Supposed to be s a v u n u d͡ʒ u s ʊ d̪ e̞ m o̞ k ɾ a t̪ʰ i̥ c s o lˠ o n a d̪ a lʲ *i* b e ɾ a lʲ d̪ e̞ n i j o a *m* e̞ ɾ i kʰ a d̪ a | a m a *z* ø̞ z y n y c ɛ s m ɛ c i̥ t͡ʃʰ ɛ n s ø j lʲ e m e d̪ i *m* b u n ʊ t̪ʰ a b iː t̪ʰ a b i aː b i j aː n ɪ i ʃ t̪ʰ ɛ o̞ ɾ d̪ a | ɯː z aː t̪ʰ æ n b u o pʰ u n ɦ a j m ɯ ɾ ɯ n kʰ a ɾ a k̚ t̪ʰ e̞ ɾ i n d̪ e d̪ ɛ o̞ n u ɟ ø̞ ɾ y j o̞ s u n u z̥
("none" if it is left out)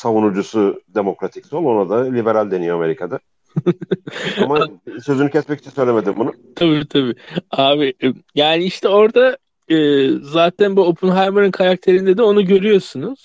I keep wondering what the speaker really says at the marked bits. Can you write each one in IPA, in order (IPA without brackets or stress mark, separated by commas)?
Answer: i, m, s, m